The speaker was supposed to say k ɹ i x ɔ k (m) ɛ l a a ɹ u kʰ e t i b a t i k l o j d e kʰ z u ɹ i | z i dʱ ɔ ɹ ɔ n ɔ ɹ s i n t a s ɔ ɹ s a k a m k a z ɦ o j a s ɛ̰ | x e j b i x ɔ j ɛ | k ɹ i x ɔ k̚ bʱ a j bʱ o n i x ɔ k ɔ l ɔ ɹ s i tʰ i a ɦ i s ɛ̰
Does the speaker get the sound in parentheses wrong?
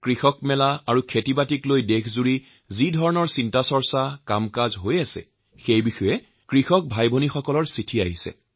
no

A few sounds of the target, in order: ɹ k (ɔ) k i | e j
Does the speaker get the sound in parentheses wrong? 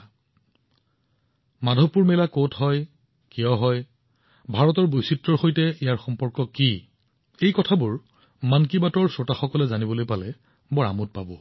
no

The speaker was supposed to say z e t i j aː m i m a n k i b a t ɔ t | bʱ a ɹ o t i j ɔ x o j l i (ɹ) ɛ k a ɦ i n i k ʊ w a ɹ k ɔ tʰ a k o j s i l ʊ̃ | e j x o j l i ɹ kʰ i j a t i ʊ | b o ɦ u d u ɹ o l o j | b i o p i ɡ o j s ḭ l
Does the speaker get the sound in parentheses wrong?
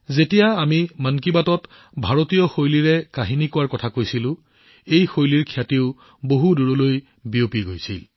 no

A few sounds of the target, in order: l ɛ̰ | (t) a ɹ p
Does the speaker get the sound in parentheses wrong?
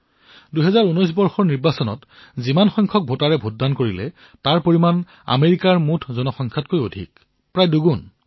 no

